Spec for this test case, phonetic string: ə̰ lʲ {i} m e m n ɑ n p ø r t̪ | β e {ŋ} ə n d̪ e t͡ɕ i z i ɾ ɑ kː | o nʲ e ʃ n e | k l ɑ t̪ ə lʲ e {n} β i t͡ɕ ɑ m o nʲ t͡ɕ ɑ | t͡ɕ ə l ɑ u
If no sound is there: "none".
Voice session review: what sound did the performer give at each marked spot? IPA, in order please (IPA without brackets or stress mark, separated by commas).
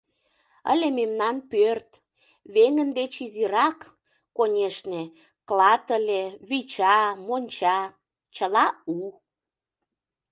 e, ŋ, none